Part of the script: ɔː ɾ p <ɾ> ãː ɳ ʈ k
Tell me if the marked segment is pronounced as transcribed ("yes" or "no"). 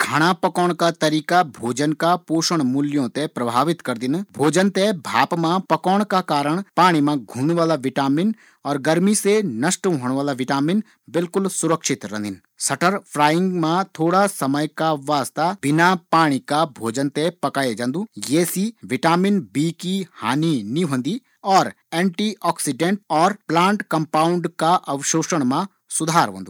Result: no